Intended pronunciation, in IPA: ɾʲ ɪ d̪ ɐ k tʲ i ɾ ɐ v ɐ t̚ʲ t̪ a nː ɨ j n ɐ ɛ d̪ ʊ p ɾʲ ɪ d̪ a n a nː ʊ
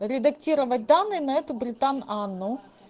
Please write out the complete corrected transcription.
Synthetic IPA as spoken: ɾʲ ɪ d̪ ɐ k tʲ i ɾ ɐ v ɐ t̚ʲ d̪ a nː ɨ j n ɐ ɛ t̪ ʊ b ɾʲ ɪ t̪ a n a nː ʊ